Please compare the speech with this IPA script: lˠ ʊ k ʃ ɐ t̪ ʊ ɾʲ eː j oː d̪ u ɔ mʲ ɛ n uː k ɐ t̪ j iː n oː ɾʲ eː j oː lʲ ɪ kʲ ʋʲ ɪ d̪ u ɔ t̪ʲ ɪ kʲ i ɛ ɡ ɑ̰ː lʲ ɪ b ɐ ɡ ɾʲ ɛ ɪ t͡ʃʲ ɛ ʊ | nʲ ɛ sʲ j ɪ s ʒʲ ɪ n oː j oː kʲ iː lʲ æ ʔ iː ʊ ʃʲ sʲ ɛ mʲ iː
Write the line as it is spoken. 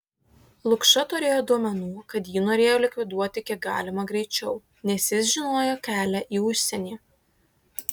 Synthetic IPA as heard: lˠ ʊ k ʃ ɐ t̪ ʊ ɾʲ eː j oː d̪ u ɔ mʲ ɛ n uː k ɐ t̪ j iː n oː ɾʲ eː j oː lʲ ɪ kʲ ʋʲ ɪ d̪ u ɔ t̪ʲ ɪ kʲ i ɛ ɡ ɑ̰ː lʲ ɪ m ɐ ɡ ɾʲ ɛ ɪ t͡ʃʲ ɛ ʊ | nʲ ɛ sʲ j ɪ s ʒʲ ɪ n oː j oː kʲ æː lʲ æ ʔ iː ʊ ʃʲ sʲ ɛ nʲ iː